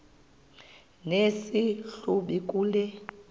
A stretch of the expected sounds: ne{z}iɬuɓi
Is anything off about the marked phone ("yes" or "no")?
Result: yes